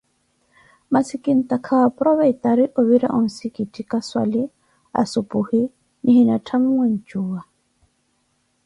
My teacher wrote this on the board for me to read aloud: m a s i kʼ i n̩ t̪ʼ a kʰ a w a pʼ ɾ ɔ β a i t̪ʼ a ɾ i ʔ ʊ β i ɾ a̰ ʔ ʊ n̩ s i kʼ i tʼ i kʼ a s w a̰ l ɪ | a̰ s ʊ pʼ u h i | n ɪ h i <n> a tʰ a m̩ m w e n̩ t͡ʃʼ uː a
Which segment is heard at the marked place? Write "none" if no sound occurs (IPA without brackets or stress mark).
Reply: n